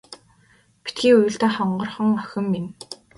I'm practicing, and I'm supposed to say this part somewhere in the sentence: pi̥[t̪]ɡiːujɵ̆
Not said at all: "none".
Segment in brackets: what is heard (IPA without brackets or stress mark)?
t̪